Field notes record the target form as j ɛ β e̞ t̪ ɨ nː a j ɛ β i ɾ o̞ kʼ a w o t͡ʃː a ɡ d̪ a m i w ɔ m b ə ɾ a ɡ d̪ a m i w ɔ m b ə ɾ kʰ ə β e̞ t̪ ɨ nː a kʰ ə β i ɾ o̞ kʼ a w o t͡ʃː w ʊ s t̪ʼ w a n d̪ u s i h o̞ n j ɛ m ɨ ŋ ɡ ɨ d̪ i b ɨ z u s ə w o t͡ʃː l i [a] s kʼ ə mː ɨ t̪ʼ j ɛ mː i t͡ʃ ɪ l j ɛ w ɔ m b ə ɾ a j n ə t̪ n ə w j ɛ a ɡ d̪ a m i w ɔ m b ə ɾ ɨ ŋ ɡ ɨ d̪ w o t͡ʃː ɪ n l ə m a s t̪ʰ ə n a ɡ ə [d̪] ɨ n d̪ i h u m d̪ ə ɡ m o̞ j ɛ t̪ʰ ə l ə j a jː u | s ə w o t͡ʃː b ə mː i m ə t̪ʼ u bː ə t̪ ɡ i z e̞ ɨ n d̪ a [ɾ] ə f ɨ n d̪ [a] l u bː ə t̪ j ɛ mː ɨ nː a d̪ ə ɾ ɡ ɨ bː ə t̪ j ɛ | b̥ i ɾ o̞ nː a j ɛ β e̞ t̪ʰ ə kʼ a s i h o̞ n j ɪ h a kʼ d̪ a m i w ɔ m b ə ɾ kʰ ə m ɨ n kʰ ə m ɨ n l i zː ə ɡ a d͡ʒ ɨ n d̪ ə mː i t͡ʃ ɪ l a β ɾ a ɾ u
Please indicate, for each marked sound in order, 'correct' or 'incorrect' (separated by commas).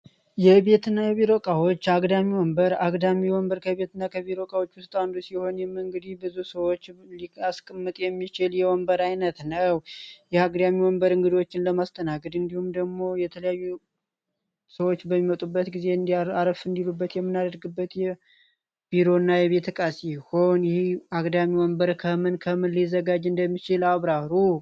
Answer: correct, correct, correct, incorrect